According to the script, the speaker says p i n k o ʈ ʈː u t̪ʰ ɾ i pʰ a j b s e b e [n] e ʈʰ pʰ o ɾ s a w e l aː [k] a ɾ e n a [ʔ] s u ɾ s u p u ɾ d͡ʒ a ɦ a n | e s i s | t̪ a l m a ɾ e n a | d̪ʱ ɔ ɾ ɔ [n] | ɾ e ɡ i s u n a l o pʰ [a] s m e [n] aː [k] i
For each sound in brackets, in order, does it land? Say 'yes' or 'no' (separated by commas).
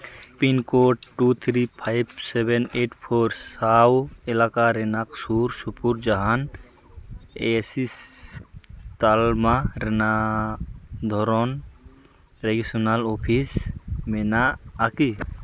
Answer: yes, yes, no, yes, no, yes, yes